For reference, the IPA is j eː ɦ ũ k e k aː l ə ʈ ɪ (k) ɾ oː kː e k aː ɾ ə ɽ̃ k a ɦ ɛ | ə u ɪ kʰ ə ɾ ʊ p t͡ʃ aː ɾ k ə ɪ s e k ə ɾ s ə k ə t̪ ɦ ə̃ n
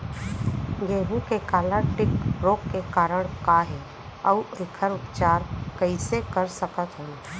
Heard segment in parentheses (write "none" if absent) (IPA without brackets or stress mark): k